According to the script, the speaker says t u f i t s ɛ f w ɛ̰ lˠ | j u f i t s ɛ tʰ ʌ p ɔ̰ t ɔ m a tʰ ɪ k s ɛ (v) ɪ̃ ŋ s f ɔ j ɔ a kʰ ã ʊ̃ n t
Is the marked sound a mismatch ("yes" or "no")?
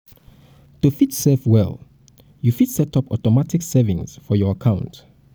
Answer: no